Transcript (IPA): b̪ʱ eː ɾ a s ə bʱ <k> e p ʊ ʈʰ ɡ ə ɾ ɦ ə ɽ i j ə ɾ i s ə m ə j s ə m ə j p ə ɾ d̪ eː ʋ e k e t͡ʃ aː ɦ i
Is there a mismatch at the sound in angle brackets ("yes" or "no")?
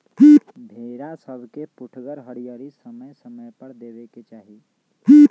no